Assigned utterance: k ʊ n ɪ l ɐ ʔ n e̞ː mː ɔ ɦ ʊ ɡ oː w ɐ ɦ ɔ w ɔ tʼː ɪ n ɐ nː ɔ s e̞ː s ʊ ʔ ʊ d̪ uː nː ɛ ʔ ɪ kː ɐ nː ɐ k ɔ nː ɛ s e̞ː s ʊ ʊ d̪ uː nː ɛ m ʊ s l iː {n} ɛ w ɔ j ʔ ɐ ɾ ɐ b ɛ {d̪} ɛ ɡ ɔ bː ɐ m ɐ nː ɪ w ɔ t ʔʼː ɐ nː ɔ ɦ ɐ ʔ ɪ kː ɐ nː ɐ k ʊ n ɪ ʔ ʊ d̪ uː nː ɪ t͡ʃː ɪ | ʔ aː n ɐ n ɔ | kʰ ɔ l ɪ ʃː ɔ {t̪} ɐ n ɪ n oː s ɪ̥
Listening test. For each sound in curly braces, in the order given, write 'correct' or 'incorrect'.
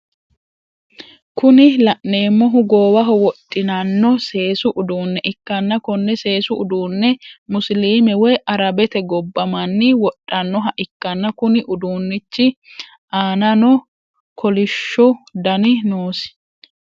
incorrect: m, incorrect: t̪, incorrect: d̪

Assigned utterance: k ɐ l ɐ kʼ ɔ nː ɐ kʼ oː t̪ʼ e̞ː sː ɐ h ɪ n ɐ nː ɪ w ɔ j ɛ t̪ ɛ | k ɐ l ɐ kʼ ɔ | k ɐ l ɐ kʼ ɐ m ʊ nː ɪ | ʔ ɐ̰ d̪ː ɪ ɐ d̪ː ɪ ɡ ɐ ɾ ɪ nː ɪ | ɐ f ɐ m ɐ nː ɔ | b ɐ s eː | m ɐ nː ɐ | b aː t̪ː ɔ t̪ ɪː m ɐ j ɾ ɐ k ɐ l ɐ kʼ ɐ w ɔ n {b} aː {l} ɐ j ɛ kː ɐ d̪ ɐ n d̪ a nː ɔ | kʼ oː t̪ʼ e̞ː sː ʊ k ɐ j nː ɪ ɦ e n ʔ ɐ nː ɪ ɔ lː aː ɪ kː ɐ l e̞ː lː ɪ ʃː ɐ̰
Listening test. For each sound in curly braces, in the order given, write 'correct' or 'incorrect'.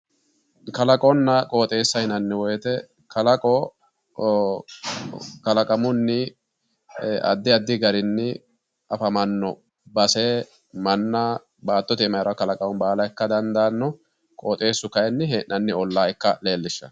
correct, correct

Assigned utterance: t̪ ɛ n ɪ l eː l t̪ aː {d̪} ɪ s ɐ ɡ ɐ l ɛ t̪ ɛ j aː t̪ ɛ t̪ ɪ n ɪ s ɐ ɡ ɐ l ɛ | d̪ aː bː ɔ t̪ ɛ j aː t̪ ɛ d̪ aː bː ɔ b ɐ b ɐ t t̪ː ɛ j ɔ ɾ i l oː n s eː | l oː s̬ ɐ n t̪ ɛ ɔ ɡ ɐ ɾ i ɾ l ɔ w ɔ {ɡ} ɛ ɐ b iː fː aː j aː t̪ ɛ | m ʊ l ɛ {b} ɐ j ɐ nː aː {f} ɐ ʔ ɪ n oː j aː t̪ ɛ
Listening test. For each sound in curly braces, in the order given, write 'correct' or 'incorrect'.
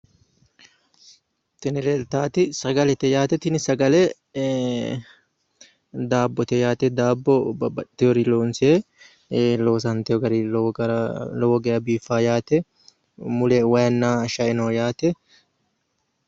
incorrect: t̪, correct, incorrect: w, incorrect: ʃ

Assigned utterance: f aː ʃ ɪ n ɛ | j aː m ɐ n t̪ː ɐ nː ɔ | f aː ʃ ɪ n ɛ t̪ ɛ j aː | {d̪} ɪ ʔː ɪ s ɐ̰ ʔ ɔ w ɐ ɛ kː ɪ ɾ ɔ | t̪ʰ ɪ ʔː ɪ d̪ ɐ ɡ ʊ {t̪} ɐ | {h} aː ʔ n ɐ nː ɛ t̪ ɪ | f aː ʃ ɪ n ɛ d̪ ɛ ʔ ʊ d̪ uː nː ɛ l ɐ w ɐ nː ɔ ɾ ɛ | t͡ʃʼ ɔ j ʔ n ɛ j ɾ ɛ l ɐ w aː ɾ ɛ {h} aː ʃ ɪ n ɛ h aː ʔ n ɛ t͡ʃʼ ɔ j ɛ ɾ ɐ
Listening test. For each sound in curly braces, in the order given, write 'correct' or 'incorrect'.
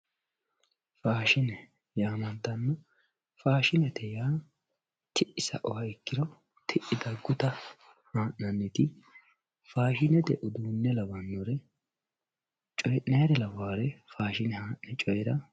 incorrect: t̪, correct, correct, incorrect: f

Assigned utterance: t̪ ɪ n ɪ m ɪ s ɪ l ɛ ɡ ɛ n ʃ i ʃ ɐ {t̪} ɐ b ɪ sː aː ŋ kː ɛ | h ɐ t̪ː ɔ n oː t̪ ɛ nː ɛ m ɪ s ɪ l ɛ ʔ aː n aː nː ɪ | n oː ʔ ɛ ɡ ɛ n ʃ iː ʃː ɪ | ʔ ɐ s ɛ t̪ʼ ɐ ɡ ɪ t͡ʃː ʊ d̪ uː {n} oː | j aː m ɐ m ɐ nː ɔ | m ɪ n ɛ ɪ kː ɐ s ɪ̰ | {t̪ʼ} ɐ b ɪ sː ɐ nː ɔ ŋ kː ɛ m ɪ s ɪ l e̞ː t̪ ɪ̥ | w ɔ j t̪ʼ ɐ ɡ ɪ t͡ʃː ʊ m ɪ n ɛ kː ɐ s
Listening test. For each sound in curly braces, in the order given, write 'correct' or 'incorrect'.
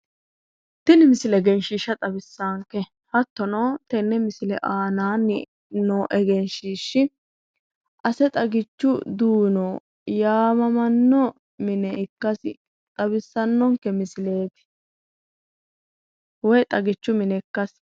incorrect: t̪ʼ, correct, correct

